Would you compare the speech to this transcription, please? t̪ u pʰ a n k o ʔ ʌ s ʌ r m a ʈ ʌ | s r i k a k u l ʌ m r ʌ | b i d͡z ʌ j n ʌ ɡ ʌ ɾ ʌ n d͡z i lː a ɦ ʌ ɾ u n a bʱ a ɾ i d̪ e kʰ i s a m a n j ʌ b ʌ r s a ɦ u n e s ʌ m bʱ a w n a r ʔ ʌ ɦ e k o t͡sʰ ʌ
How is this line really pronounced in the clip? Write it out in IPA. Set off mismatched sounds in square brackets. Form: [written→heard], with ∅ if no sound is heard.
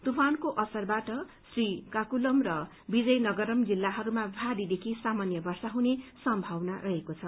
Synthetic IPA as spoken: t̪ u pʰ a n k o ʔ ʌ s ʌ r [m→b] a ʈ ʌ | s r i k a k u l ʌ m r ʌ | b i d͡z ʌ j n ʌ ɡ ʌ ɾ ʌ [n→m] d͡z i lː a ɦ ʌ ɾ u [n→m] a bʱ a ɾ i d̪ e kʰ i s a m a n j ʌ b ʌ r s a ɦ u n e s ʌ m bʱ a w n a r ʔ ʌ ɦ e k o t͡sʰ ʌ